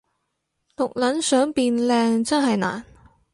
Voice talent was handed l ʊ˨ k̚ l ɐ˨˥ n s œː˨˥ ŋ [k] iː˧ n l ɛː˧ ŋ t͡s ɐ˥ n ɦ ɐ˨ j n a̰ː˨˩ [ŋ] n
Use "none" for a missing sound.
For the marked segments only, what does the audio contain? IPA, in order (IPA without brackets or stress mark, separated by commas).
p, none